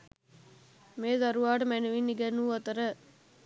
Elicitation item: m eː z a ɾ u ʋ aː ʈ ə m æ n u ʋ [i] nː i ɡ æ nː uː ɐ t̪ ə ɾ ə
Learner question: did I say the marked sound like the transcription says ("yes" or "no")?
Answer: yes